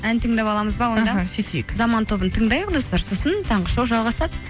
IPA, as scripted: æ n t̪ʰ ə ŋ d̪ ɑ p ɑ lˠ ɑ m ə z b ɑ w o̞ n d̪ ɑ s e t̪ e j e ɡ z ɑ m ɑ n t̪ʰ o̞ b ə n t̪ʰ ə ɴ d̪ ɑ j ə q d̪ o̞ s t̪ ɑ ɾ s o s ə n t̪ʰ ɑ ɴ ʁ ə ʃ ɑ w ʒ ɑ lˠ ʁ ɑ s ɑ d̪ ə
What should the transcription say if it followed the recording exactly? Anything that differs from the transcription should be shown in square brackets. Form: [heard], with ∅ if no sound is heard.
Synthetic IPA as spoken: æ n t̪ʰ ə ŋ d̪ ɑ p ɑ lˠ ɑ m ə z b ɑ w o̞ n d̪ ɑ s e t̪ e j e [k] z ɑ m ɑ n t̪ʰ o̞ b ə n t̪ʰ ə ɴ d̪ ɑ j ə q d̪ o̞ s t̪ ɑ ɾ s o s ə n t̪ʰ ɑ ɴ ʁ ə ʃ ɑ w ʒ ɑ lˠ ʁ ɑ s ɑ d̪ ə

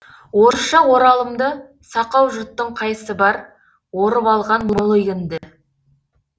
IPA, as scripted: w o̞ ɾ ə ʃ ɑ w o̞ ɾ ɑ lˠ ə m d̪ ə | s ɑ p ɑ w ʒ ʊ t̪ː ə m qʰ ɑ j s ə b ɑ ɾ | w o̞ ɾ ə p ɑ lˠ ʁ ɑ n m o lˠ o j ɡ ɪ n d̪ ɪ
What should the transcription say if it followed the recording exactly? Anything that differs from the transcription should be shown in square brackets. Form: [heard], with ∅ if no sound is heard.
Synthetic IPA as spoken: w o̞ ɾ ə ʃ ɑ w o̞ ɾ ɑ lˠ ə m d̪ ə | s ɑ [q] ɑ w ʒ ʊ t̪ː ə [ɴ] qʰ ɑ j s ə b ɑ ɾ | w o̞ ɾ ə p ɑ lˠ ʁ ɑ n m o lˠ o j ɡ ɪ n d̪ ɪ

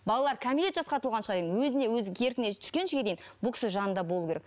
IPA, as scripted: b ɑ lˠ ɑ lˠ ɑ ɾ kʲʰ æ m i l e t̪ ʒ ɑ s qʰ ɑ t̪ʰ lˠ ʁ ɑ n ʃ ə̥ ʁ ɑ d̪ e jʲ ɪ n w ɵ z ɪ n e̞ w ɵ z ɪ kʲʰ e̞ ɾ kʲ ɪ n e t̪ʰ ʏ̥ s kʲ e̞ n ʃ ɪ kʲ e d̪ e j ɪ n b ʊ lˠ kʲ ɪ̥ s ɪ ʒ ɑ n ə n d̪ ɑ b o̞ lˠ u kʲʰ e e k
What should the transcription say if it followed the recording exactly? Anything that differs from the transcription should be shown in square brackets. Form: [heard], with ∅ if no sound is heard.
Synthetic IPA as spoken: b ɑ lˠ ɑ lˠ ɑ ɾ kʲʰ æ m i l e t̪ ʒ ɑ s [q] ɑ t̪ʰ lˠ ʁ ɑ n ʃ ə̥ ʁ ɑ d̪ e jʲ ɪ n w ɵ z ɪ n e̞ w ɵ z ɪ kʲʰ e̞ ɾ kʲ ɪ n e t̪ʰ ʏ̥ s kʲ e̞ n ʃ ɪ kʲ e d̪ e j ɪ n b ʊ lˠ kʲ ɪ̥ s ɪ ʒ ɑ n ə n d̪ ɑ b o̞ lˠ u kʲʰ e e k

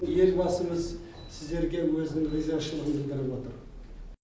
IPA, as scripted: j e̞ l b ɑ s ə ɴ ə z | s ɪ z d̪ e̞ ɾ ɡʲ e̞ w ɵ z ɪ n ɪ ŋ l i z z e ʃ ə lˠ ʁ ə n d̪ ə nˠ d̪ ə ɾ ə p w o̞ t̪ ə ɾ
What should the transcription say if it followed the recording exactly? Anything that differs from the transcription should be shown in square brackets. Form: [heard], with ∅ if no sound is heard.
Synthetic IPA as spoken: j e̞ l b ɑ s ə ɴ ə z | s ɪ z d̪ e̞ ɾ ɡʲ e̞ w ɵ z ɪ n ɪ ŋ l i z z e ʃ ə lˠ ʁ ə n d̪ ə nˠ d̪ ə ɾ ə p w o̞ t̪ ə ɾ

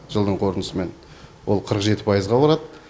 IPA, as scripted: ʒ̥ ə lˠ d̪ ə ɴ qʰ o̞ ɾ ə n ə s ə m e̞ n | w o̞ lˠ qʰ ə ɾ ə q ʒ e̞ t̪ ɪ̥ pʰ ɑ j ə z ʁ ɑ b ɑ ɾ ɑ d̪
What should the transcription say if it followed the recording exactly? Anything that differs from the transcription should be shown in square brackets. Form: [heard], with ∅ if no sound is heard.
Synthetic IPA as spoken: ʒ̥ ə lˠ d̪ ə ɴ qʰ o̞ ɾ ə n ə s ə m e̞ n | w o̞ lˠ qʰ ə ɾ ə q ʒ e̞ t̪ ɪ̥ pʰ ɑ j ə z ʁ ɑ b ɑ ɾ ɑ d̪

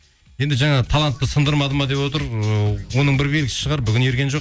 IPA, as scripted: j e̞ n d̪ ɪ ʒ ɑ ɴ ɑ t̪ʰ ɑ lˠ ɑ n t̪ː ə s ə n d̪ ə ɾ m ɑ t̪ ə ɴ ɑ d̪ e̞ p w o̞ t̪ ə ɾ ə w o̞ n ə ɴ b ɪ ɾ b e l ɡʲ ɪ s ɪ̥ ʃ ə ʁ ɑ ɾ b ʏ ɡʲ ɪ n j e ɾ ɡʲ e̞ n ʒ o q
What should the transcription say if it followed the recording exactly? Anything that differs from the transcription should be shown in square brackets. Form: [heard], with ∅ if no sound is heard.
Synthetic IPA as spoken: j e̞ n d̪ ɪ ʒ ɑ ɴ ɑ t̪ʰ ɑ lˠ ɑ n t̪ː ə s ə n d̪ ə ɾ m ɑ [d̪] ə [m] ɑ d̪ e̞ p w o̞ t̪ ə ɾ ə w o̞ n ə ɴ b ɪ ɾ b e l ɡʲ ɪ s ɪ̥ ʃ ə ʁ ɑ ɾ b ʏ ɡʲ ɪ n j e ɾ ɡʲ e̞ n ʒ o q

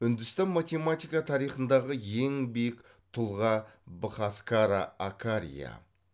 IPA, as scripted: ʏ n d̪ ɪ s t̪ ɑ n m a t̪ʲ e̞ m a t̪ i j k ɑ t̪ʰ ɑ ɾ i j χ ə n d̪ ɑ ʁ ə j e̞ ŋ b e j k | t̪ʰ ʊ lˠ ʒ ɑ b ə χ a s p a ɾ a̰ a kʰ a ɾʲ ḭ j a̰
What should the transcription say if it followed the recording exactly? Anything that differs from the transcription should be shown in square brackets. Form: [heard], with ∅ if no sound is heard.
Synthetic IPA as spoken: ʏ n d̪ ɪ s t̪ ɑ n m a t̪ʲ e̞ m a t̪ i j k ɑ t̪ʰ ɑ ɾ i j χ ə n d̪ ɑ ʁ ə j e̞ ŋ b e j k | t̪ʰ ʊ lˠ [ʁ] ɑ b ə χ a s [k] a ɾ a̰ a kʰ a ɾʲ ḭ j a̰

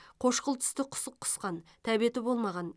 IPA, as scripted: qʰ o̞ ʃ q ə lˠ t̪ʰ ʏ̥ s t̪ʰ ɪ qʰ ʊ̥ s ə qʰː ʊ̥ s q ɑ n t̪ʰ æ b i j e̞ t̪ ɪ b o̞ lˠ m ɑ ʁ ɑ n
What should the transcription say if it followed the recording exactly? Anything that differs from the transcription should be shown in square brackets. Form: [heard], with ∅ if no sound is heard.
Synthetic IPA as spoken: qʰ o̞ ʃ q ə lˠ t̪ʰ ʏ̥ s [t̪] ɪ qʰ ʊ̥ s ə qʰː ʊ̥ s q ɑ n t̪ʰ æ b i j e̞ t̪ ɪ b o̞ lˠ m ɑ ʁ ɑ n

